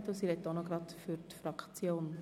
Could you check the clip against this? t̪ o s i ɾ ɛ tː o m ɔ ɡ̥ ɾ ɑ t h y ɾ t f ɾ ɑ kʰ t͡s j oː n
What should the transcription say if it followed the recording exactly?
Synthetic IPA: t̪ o s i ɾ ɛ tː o n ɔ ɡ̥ ɾ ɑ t f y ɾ t f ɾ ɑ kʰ t͡s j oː n